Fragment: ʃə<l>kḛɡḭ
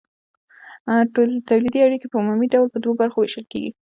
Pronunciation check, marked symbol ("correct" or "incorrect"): correct